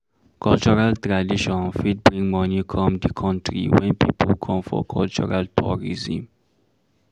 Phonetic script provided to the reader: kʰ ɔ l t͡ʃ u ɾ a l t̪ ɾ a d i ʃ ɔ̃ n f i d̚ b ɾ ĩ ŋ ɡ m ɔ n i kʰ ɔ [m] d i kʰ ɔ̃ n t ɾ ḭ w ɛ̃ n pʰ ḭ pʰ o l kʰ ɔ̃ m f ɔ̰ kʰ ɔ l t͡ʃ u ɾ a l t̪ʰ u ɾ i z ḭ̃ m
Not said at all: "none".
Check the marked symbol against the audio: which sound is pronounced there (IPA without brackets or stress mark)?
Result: m